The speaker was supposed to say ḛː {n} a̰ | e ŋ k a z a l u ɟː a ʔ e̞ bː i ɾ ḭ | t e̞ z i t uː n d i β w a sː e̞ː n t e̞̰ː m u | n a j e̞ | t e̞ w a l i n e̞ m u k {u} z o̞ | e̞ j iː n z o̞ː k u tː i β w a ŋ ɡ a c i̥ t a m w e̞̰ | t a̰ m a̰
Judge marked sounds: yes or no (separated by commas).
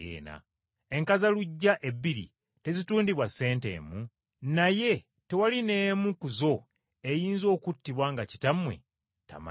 yes, yes